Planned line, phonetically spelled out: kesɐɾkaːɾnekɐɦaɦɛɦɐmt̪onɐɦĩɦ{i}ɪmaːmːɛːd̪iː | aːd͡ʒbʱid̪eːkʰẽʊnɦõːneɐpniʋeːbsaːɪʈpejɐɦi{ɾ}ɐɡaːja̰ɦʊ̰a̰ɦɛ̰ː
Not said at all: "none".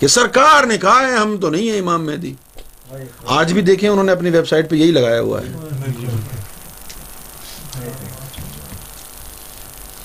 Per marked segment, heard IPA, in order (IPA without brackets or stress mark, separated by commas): ɛ, l